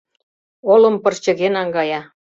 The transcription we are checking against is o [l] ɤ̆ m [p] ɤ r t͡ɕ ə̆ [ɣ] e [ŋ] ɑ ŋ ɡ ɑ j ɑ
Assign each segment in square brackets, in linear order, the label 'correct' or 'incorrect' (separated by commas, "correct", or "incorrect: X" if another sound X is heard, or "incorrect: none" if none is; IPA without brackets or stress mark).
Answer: correct, correct, correct, incorrect: n